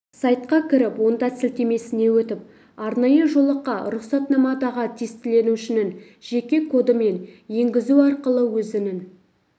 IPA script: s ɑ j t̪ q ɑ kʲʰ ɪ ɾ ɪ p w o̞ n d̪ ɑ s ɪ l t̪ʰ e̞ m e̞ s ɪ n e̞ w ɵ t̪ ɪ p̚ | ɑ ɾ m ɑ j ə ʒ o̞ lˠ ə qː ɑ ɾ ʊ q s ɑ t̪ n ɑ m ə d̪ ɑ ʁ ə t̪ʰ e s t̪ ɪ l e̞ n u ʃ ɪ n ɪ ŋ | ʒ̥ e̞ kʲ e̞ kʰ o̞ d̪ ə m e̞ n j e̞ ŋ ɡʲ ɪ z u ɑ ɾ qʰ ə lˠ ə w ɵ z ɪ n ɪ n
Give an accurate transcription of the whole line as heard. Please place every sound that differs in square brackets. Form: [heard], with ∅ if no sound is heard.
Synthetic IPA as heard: s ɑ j t̪ q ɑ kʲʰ ɪ ɾ ɪ p w o̞ n d̪ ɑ s ɪ l [t̪] e̞ m e̞ s ɪ n e̞ w ɵ t̪ ɪ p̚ | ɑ ɾ [n] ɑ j ə ʒ o̞ lˠ ə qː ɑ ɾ ʊ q s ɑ t̪ n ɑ m [ɑ] d̪ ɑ ʁ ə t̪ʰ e s t̪ ɪ l e̞ n u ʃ ɪ n ɪ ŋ | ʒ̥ e̞ kʲ e̞ kʰ o̞ d̪ ə m e̞ n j e̞ ŋ ɡʲ ɪ z u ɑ ɾ [q] ə lˠ ə w ɵ z ɪ n ɪ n